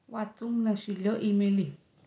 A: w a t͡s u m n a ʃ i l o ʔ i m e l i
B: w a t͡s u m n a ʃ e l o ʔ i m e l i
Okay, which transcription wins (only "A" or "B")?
A